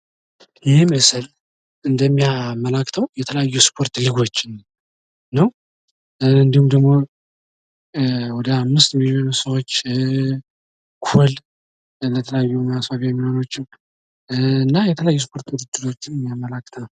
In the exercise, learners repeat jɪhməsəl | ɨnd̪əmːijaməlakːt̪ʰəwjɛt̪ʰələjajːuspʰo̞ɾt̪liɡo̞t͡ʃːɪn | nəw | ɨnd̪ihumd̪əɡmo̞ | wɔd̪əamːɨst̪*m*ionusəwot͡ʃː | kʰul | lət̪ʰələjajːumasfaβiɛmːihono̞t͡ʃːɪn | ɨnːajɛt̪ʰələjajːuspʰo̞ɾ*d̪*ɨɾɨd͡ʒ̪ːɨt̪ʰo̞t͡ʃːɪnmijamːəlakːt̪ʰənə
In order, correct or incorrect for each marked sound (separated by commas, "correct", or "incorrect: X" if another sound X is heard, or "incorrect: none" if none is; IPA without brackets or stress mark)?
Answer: correct, incorrect: t̪